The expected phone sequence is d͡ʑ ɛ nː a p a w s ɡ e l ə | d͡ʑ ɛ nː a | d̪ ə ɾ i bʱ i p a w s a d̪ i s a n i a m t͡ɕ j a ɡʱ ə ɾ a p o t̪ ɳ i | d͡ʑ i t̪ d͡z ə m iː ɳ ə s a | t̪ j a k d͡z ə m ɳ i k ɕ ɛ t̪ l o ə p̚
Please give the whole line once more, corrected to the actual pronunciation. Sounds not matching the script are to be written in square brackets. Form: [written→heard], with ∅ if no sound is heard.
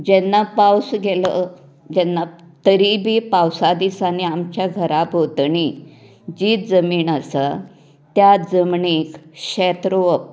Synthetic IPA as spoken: d͡ʑ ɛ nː a p a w s ɡ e l ə | d͡ʑ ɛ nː a | [d̪→t̪] ə ɾ i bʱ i p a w s a d̪ i s a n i a m t͡ɕ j a ɡʱ ə ɾ a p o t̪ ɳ i | d͡ʑ i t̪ d͡z ə m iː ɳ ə s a | t̪ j a [k→∅] d͡z ə m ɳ i k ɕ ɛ t̪ [l→ɾ] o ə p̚